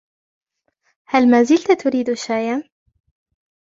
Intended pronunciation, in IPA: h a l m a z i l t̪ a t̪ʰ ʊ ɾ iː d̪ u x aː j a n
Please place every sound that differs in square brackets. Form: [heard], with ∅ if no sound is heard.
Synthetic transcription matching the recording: h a l m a z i l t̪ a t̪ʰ ʊ ɾ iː d̪ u [ʃ] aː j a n